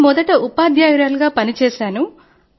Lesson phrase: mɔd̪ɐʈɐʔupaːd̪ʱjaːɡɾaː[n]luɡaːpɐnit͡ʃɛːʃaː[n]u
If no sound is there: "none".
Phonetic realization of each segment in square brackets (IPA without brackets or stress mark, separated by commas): none, n